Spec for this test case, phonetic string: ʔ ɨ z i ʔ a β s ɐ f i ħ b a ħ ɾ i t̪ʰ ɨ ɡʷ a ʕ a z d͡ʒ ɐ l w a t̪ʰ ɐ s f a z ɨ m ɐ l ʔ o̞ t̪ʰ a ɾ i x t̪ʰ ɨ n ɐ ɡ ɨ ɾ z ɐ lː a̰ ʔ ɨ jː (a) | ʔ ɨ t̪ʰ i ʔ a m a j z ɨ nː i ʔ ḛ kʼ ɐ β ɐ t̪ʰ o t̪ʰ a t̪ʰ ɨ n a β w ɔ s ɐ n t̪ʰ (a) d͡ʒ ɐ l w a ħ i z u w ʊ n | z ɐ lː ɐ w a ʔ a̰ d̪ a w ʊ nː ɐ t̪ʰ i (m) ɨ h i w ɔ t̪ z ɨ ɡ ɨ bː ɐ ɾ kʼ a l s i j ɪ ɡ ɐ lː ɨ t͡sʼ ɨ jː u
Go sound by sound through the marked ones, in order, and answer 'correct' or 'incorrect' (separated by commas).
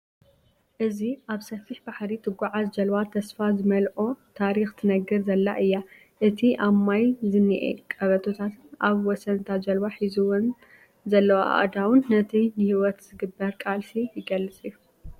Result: correct, correct, incorrect